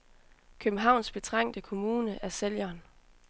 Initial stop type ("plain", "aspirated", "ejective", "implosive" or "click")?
aspirated